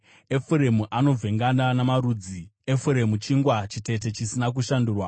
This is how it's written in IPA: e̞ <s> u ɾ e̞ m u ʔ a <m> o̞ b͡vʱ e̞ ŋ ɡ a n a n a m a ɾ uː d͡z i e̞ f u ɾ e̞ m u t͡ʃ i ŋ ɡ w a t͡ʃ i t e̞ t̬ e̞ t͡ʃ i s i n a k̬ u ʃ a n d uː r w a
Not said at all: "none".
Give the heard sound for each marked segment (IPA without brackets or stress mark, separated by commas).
f, n